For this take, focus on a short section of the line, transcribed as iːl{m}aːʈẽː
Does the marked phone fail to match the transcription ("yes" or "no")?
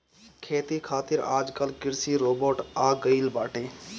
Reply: yes